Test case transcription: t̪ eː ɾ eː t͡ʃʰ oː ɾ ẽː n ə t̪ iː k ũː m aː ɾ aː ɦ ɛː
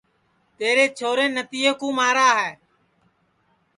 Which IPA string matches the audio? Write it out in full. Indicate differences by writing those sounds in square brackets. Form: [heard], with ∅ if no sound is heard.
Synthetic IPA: t̪ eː ɾ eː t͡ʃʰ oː ɾ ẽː n ə t̪ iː k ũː m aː ɾ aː ɦ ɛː